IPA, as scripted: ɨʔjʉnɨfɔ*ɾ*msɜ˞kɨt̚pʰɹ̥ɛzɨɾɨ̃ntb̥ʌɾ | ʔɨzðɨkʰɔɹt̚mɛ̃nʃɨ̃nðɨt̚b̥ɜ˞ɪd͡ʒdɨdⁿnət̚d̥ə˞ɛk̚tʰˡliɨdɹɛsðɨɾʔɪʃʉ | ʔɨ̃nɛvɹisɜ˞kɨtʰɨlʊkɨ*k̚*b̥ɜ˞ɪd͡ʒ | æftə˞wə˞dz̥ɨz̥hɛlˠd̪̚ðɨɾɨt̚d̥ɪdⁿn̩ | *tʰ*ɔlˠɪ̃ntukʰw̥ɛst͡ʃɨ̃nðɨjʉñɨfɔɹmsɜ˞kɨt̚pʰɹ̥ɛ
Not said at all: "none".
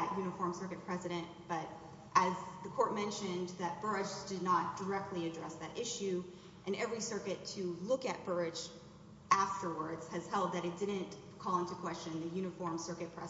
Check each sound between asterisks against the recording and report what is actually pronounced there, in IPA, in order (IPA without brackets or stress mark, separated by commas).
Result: ɹ, t̚, kʰ